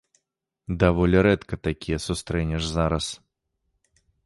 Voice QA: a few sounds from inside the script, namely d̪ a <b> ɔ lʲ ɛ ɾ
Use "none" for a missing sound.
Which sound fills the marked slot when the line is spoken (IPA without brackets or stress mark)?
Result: v